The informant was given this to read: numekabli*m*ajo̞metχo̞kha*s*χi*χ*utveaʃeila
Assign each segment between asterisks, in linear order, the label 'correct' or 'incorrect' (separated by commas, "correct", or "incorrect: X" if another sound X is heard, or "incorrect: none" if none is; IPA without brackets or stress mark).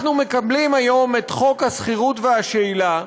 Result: correct, correct, incorrect: ʁ